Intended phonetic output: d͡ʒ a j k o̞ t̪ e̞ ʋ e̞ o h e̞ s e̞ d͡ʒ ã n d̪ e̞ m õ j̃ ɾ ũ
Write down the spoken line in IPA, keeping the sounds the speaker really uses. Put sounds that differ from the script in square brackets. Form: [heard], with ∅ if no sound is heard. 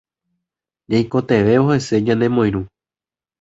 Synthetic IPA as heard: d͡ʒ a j k o̞ t̪ e̞ ʋ e̞ o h e̞ s e̞ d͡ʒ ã n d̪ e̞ m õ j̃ ɾ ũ